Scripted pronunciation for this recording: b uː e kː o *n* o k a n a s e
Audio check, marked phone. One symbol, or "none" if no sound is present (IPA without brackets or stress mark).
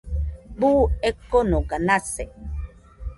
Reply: n